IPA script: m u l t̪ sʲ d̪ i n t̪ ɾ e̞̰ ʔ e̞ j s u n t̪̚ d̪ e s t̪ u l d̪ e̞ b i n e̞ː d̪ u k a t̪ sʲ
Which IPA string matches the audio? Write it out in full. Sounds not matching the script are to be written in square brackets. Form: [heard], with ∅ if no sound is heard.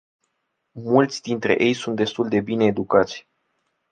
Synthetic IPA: m u l t̪ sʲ d̪ i n t̪ ɾ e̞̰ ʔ e̞ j s u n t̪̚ d̪ e s t̪ u l d̪ e̞ b i n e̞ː d̪ u k a t̪ sʲ